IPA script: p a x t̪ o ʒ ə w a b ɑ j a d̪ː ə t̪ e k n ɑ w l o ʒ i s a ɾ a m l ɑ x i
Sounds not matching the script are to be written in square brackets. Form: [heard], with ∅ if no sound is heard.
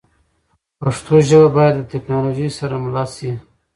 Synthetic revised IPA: p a [ʂ] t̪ o ʒ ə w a b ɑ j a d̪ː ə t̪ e k n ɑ [∅] l o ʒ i s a ɾ a m l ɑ [s] i

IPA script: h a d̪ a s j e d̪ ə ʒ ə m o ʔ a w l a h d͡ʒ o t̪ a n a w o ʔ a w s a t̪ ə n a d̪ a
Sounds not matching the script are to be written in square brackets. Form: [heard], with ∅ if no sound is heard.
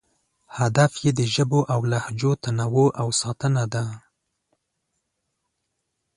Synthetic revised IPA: h a d̪ a [f] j e d̪ ə ʒ ə [b] o ʔ a w l a h d͡ʒ o t̪ a n a w o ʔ a w s [ɑ] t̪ ə n a d̪ a

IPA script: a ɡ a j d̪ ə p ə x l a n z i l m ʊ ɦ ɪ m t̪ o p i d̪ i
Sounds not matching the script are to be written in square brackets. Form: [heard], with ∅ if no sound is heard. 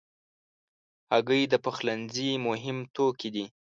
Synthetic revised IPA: a ɡ [ə] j d̪ ə p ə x l a n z i [∅] m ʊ ɦ ɪ m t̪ o [k] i d̪ i

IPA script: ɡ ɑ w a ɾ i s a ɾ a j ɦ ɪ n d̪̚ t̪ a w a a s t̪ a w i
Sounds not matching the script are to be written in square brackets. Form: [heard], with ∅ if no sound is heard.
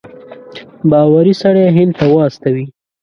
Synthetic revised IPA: [b] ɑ w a ɾ i s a [ɽ] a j ɦ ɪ n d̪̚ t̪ a w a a s t̪ a w i

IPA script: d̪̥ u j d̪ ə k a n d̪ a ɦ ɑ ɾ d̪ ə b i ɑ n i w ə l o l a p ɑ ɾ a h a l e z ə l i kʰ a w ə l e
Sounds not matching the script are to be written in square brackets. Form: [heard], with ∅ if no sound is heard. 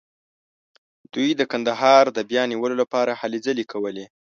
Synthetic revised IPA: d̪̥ u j d̪ ə k a n d̪ a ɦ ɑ ɾ d̪ ə b [j] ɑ n i w ə l o l a p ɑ ɾ a h a l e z ə l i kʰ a w ə l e

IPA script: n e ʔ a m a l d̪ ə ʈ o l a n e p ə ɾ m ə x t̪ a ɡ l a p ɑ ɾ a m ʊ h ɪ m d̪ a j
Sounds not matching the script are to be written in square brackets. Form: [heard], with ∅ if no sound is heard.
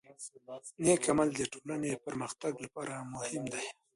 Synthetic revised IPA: n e [k] a m a l d̪ ə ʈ o l a n e p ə ɾ m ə x t̪ a ɡ l a p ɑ ɾ a m ʊ h ɪ m d̪ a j

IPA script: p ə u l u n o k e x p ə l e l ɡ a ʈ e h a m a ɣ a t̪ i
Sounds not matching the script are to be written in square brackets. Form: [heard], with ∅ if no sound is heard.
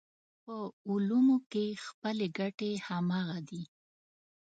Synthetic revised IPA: p ə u l u [m] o k e x p ə l e [∅] ɡ a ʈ e h a m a ɣ a [d̪] i

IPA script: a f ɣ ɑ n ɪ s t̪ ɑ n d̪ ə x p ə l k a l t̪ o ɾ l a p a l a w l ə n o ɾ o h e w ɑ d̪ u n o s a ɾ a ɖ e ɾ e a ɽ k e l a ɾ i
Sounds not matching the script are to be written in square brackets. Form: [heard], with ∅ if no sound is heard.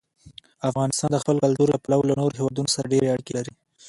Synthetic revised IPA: a f ɣ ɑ n ɪ s t̪ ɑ n d̪ ə x p ə l k a l t̪ [u] ɾ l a p a l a w l [a] n o ɾ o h e w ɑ d̪ u n o s a ɾ a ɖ e ɾ e a ɽ k e l a ɾ i

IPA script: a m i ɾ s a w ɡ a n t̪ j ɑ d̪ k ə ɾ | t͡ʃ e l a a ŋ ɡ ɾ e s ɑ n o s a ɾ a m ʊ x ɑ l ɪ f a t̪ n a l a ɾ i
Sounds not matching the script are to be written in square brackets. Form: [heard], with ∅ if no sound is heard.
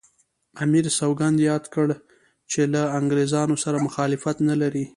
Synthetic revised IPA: a m i ɾ s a w ɡ a n [d̪] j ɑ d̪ k ə [ɽ] | t͡ʃ e l a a ŋ ɡ ɾ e [z] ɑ n o s a ɾ a m ʊ x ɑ l ɪ f a t̪ n a l a ɾ i

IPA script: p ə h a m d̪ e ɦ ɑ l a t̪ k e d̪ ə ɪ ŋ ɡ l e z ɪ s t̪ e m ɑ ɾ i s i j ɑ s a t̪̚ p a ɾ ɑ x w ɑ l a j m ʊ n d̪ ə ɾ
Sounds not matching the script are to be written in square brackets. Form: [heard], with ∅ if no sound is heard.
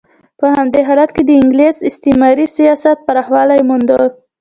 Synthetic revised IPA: p ə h a m d̪ e ɦ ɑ l a t̪ k e d̪ ə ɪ ŋ ɡ l e z ɪ s t̪ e m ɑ ɾ i s i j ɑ s a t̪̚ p a ɾ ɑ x w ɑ l a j m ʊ n d̪ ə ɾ

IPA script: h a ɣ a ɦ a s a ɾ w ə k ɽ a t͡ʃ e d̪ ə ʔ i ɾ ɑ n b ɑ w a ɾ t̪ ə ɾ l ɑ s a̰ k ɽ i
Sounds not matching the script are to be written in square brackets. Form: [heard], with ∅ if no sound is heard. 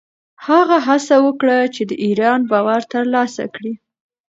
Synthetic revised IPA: h a ɣ a ɦ a s a [∅] w ə k ɽ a t͡ʃ e d̪ ə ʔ i ɾ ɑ n b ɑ w a ɾ t̪ ə ɾ l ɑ s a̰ k ɽ i

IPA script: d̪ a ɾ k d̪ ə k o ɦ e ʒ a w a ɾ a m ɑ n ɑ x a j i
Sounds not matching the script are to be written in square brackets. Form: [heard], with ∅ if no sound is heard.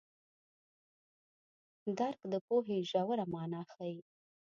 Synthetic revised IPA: d̪ a ɾ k d̪ ə [p] o ɦ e ʒ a w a ɾ a m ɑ n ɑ x a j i

